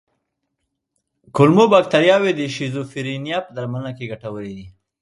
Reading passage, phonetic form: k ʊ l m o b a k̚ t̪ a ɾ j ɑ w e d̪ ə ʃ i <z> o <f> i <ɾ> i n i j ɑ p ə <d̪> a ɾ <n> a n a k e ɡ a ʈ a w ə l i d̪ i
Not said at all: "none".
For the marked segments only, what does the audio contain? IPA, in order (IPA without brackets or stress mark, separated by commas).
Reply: z, f, ɾ, d̪, m